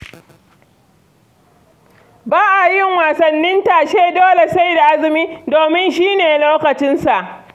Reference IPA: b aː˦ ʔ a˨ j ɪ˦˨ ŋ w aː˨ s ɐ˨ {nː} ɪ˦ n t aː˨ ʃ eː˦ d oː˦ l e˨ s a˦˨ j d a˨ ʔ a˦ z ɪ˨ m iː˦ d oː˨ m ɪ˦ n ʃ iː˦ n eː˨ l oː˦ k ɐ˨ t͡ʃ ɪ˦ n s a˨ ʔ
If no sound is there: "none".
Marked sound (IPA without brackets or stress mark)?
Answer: nː